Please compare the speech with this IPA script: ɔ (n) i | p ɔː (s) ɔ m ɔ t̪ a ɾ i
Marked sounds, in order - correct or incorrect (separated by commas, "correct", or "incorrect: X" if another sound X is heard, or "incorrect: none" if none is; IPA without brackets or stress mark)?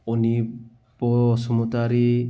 correct, correct